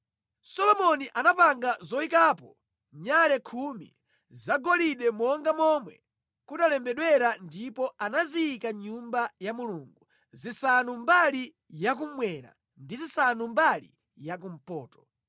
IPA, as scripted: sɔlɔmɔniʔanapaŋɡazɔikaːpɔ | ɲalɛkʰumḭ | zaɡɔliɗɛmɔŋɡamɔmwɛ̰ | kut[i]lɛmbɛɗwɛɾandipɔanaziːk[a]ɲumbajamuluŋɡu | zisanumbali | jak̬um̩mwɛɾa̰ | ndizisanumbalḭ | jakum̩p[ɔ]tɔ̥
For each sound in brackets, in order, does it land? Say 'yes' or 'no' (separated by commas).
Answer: no, yes, no